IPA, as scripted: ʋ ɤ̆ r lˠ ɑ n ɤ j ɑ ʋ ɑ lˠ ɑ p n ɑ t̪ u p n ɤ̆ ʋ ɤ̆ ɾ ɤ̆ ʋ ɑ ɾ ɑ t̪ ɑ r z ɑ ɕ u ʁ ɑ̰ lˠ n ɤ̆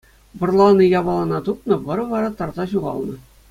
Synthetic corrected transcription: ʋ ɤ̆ r lˠ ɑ n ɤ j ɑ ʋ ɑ lˠ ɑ n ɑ t̪ u p n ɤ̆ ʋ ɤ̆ ɾ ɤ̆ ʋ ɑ ɾ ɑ t̪ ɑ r z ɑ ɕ u ʁ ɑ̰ lˠ n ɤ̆